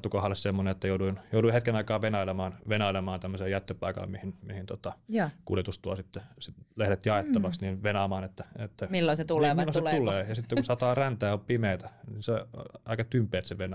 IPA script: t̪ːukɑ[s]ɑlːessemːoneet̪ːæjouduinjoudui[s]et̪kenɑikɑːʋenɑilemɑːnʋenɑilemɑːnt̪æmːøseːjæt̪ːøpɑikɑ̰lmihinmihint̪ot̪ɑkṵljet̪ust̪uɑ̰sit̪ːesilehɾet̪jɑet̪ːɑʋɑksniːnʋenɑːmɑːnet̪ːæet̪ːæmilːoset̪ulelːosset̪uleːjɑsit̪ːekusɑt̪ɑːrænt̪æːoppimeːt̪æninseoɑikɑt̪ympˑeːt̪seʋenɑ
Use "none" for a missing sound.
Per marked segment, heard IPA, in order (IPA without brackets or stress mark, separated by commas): h, h